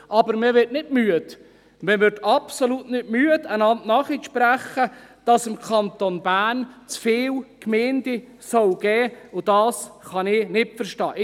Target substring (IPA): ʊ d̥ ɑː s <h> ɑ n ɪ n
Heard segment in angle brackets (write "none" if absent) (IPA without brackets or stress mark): χ